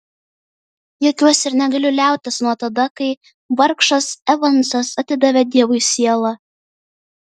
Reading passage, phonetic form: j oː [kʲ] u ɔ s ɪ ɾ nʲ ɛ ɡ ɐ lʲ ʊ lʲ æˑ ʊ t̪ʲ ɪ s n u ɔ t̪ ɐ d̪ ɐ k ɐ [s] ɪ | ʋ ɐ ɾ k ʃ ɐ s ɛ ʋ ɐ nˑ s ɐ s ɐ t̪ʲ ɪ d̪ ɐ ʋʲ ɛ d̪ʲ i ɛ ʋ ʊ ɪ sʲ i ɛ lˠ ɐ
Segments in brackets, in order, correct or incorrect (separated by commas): correct, incorrect